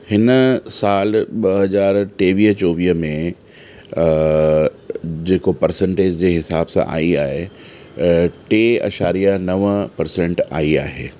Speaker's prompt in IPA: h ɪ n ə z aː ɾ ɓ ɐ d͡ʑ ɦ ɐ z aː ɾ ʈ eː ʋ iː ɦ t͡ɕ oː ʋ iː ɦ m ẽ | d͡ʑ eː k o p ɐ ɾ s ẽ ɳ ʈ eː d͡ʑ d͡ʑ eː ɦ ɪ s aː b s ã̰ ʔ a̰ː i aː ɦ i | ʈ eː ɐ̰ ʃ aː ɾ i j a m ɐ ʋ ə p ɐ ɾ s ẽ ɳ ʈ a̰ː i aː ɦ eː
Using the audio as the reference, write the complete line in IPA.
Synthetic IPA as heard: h ɪ n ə s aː l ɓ ɐ ɦ ɐ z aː ɾ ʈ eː ʋ iː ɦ t͡ɕ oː ʋ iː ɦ m ẽ | d͡ʑ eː k o p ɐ ɾ s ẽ ɳ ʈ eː d͡ʑ d͡ʑ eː ɦ ɪ s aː b s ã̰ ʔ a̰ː i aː ɦ e | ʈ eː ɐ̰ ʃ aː ɾ i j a n ɐ ʋ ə p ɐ ɾ s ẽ ɳ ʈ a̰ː i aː ɦ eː